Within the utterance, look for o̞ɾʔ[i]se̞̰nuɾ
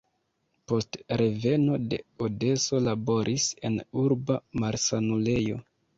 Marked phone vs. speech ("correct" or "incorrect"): correct